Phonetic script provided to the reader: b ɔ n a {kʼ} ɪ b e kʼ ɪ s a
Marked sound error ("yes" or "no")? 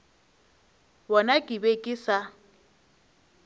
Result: no